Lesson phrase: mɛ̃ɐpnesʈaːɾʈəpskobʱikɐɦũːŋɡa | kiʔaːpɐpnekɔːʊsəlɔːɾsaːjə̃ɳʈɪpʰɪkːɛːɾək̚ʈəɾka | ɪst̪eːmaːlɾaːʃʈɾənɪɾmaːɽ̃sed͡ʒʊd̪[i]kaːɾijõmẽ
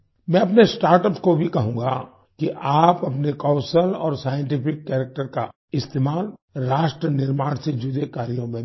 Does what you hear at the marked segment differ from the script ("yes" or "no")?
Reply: yes